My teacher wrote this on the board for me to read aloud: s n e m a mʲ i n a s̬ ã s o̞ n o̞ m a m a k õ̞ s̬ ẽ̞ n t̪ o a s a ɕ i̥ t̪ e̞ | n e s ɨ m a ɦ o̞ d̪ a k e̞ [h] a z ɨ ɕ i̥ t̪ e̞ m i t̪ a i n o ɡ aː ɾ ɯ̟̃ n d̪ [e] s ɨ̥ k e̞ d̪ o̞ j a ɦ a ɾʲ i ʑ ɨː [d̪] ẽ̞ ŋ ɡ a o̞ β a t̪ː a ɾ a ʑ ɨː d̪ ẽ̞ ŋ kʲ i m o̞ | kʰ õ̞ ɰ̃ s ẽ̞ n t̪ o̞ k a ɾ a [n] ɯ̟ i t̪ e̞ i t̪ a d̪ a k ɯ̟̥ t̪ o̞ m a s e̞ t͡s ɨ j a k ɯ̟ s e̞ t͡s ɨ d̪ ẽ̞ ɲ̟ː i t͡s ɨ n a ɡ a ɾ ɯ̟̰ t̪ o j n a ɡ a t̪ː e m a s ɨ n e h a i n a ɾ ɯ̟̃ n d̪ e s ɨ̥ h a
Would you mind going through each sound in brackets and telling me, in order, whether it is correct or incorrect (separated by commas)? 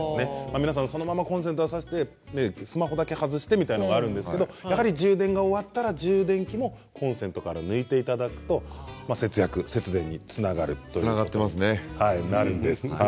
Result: correct, correct, correct, correct